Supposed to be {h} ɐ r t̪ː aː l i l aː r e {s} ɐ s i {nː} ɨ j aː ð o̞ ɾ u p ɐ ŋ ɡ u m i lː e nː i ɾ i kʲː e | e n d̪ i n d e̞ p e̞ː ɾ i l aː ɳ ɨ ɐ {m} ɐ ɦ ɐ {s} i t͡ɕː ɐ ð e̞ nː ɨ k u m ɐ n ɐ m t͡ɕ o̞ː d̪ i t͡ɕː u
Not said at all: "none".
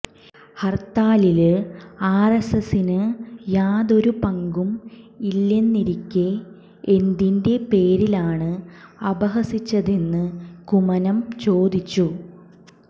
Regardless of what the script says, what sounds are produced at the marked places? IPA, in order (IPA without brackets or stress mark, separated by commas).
h, s, n, b, s